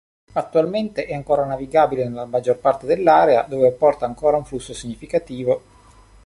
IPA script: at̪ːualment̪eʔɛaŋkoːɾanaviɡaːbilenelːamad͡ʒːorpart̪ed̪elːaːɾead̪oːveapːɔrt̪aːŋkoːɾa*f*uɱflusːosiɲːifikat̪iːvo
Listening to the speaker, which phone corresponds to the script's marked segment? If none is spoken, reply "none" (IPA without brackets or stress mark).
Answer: none